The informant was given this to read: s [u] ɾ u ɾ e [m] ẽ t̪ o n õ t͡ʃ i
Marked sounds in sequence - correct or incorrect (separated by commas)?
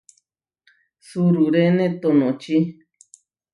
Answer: correct, incorrect